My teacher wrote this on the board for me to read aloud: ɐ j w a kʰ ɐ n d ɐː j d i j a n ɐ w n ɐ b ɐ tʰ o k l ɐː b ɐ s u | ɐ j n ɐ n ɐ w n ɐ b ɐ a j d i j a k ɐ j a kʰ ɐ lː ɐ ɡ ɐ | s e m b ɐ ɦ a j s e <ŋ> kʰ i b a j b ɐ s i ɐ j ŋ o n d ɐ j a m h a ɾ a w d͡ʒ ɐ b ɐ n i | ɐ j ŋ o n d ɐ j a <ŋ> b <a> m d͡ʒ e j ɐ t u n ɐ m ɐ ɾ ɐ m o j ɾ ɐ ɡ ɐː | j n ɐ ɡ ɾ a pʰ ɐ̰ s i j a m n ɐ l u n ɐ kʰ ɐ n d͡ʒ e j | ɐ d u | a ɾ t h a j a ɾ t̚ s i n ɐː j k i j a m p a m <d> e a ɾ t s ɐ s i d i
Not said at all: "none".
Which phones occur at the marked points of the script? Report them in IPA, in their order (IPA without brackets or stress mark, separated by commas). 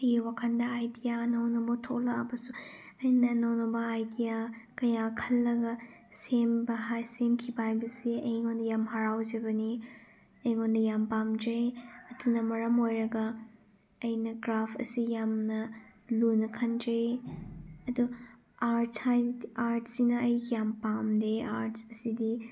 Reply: m, m, a, d